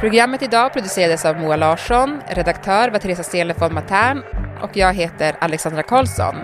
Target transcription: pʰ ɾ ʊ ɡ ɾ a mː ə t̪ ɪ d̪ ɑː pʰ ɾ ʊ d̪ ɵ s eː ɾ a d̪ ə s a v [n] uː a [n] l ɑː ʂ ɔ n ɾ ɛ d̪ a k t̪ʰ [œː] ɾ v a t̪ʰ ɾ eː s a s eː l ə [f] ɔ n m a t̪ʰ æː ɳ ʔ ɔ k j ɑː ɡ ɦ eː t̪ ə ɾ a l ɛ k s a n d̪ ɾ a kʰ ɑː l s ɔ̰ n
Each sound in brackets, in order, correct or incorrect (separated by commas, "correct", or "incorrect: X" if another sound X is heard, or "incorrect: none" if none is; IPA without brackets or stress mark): incorrect: m, incorrect: none, correct, correct